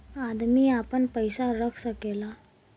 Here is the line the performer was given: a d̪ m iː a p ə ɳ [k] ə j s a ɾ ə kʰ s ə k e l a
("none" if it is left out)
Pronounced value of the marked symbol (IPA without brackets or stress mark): p